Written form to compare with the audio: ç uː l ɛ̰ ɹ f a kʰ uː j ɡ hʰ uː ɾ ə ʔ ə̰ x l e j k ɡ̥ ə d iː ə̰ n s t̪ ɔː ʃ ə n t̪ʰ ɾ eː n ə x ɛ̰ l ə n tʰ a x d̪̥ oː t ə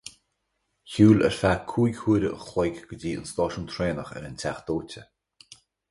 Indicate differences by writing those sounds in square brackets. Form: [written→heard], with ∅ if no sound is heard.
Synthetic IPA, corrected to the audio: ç uː l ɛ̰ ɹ f a kʰ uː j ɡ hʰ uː ɾ ə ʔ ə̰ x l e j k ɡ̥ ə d iː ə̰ n s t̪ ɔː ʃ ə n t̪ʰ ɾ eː n ə x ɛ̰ [l→ɾ] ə n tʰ a x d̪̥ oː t ə